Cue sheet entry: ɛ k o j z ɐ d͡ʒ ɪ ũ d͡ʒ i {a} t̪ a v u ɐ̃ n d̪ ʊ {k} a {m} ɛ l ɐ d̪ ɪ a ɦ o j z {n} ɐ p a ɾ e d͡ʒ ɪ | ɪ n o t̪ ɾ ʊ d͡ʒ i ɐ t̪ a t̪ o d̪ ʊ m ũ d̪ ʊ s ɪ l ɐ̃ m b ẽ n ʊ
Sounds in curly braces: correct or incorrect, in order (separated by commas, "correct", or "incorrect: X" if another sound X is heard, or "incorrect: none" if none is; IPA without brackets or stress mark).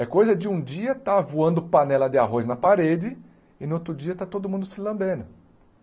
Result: incorrect: ɐ, incorrect: p, incorrect: n, correct